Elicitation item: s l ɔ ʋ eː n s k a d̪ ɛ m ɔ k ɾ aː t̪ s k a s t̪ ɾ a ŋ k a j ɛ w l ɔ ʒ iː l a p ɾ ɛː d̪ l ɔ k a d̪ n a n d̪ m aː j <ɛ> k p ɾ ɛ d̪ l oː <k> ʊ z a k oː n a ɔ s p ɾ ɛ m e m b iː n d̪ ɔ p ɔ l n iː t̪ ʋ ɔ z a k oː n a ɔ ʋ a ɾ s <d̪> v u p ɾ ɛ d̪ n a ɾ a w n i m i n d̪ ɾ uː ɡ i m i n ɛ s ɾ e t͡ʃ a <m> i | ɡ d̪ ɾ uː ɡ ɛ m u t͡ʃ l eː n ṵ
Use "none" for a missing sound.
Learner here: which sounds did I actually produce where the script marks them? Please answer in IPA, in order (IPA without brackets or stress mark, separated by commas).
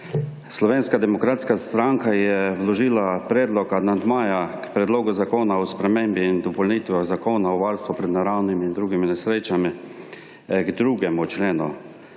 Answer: a, ɡ, t̪, m